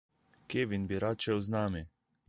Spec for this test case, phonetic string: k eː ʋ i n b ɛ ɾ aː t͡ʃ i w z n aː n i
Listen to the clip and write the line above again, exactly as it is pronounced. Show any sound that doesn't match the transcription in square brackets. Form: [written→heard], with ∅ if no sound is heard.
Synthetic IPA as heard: k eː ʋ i n b [ɛ→i] ɾ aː t͡ʃ [i→ɛ] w z n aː [n→m] i